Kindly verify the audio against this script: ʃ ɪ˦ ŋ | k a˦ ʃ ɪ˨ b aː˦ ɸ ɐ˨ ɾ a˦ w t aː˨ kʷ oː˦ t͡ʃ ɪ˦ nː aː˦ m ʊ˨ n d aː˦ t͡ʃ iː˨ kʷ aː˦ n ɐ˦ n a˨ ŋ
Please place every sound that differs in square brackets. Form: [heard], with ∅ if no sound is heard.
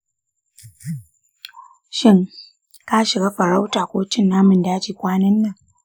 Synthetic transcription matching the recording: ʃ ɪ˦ ŋ | k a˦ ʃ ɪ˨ [ɡ] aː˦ ɸ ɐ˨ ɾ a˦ w t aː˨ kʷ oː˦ t͡ʃ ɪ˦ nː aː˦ m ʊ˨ n d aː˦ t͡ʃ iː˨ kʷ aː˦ n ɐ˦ [nː] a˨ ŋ